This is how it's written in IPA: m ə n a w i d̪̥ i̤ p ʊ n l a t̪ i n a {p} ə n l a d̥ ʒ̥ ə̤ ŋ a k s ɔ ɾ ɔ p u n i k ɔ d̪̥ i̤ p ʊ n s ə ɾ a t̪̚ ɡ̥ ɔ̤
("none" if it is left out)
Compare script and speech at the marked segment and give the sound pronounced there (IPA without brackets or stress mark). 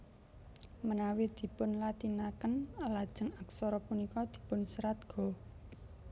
k